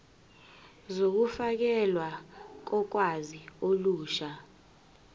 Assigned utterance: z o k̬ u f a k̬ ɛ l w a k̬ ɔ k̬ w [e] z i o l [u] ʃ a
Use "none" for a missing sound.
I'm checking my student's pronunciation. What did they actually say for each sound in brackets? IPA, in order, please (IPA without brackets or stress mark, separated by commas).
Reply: a, uː